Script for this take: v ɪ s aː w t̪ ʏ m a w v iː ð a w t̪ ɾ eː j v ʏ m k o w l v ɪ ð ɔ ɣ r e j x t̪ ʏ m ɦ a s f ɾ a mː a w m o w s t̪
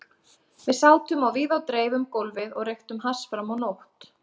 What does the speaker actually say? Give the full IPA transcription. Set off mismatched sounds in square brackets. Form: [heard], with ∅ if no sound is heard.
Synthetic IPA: v ɪ s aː w t̪ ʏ m a w v iː ð a w t̪ ɾ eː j v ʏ m k o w l v ɪ ð ɔ ɣ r e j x t̪ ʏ m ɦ a s f ɾ a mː a w [n] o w [h] t̪

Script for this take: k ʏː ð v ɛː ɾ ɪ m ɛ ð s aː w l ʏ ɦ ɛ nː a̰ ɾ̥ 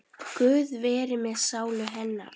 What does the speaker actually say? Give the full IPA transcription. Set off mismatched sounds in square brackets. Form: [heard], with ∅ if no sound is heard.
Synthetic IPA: k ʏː ð v ɛː ɾ ɪ m ɛ ð s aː w l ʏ ɦ ɛ nː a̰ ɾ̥

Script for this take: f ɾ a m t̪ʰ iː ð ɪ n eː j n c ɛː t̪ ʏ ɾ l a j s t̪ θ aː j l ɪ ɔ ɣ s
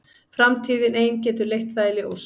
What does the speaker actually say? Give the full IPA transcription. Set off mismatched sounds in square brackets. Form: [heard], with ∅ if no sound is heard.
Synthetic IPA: f ɾ a m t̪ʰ iː ð ɪ n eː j n c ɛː t̪ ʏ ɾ l [e] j [h] t̪ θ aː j l ɪ ɔ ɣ s

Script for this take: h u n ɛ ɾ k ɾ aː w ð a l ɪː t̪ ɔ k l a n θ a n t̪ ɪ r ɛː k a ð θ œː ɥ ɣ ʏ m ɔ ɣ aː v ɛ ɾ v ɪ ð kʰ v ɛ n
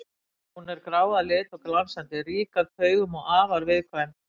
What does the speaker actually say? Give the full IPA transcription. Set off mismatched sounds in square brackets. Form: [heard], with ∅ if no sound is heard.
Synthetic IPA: h u n ɛ ɾ k ɾ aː w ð a l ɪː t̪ ɔ k l a n [s] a n t̪ ɪ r [iː] k a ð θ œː ɥ ɣ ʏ m ɔ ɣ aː v [a] ɾ v ɪ ð kʰ v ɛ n

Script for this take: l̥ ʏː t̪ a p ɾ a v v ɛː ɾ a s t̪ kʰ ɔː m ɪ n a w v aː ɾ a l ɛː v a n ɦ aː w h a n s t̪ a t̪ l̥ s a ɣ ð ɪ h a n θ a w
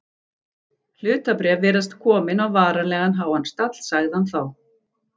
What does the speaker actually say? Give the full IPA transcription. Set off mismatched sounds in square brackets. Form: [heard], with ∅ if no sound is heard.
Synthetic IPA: l̥ ʏː t̪ a p ɾ [ɛ] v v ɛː ɾ a s t̪ kʰ ɔː m ɪ n a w v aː ɾ a l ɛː [ɣ] a n ɦ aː w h a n s t̪ a t̪ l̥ s a ɣ ð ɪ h a n θ a w

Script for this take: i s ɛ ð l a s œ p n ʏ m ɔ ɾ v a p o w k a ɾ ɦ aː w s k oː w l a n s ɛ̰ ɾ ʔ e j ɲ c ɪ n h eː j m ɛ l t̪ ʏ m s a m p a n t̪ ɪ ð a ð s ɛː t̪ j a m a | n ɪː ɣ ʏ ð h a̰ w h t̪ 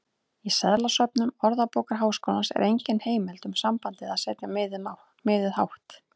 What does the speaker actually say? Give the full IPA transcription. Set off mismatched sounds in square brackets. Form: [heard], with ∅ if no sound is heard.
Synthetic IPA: i s ɛ ð l a s œ p n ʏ m ɔ ɾ [ð] a p o w k a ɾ ɦ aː w s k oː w l a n s ɛ̰ ɾ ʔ e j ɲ c ɪ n h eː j m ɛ l t̪ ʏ m s a m p a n t̪ ɪ ð a ð s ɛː t̪ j a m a | [m] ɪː [ð] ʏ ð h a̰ w h t̪

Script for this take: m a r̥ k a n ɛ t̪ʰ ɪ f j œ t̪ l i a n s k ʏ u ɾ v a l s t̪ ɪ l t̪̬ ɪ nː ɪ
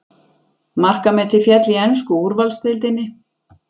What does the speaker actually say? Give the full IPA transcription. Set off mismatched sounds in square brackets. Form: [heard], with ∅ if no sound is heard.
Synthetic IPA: m a r̥ k a [m] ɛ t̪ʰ ɪ f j [ɛ] t̪ l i [ɛ] n s k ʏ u ɾ v a l s t̪ ɪ l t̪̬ ɪ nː ɪ

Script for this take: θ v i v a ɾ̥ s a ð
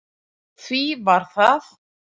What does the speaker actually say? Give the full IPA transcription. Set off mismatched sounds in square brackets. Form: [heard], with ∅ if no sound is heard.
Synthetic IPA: θ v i v a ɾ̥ [θ] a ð

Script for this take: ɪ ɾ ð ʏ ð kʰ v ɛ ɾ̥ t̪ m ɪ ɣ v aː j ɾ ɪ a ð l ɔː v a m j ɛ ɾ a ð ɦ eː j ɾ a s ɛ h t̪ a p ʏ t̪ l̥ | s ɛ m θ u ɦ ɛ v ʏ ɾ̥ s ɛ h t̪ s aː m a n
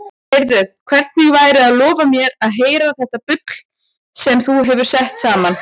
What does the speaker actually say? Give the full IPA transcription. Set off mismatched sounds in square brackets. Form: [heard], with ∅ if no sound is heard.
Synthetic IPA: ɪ ɾ ð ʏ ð kʰ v ɛ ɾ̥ t̪ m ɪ ɣ v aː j ɾ ɪ a ð l ɔː v a m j ɛ ɾ a ð ɦ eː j ɾ a [θ] ɛ h t̪ a p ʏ t̪ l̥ | s ɛ m θ u ɦ ɛ v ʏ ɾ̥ s ɛ h t̪ s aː m a n

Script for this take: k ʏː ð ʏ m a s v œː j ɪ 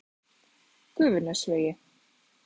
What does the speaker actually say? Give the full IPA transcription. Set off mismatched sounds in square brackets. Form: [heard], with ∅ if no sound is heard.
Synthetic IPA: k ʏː [v] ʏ [n] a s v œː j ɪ

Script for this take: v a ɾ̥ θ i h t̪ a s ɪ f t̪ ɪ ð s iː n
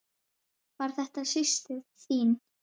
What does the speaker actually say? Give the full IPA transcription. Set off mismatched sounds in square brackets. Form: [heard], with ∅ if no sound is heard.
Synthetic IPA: v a ɾ̥ θ [ɛ] h t̪ a s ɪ [s] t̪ ɪ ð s iː n

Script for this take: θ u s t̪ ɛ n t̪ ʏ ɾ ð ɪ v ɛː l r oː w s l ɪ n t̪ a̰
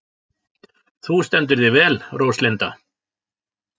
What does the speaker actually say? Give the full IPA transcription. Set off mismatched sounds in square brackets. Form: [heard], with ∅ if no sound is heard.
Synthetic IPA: θ u s t̪ ɛ n t̪ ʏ ɾ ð ɪ v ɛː l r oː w s l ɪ n t̪ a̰

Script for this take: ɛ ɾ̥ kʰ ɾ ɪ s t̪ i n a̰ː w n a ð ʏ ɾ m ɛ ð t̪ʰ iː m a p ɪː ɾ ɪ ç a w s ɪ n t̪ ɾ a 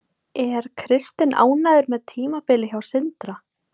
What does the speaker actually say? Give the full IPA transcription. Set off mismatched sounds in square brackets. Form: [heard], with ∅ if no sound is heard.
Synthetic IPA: ɛ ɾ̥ kʰ ɾ ɪ s t̪ [ɪ] n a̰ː w n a ð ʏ ɾ m ɛ ð t̪ʰ iː m a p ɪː [l] ɪ ç a w s ɪ n t̪ ɾ a

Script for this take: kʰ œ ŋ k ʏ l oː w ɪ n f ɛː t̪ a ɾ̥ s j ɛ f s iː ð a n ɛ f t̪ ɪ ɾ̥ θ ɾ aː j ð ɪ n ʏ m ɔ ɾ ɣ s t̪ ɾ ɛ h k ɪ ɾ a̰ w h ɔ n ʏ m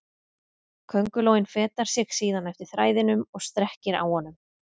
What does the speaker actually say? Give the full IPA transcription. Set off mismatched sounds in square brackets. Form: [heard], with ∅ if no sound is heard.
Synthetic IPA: kʰ œ ŋ k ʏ l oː w ɪ n f ɛː t̪ a ɾ̥ s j ɛ [x] s iː ð a n ɛ f t̪ ɪ ɾ̥ θ ɾ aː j ð ɪ n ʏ m ɔ [∅] ɣ s t̪ ɾ ɛ h [c] ɪ ɾ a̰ w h ɔ n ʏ m

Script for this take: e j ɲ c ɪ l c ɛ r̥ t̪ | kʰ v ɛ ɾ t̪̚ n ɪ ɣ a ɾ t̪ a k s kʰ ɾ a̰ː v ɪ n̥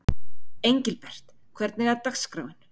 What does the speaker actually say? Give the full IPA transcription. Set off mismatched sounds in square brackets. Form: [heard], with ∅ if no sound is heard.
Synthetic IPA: e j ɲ c ɪ l [p] ɛ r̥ t̪ | kʰ v ɛ ɾ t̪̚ n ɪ ɣ a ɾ t̪ a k s [k] ɾ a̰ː [w] ɪ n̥

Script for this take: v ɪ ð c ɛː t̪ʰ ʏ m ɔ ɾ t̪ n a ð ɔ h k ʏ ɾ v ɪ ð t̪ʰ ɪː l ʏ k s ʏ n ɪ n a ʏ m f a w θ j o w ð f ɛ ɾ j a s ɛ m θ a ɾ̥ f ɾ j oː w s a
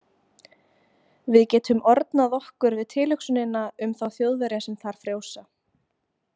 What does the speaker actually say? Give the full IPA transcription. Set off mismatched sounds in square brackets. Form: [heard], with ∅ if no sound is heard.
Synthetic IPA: v ɪ ð c ɛː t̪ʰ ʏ m ɔ ɾ t̪ n a ð ɔ h k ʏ ɾ v ɪ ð t̪ʰ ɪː l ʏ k s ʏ n ɪ n a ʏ m [θ] a w θ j o w ð [v] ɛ ɾ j a s ɛ m θ a ɾ̥ f ɾ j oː w s a

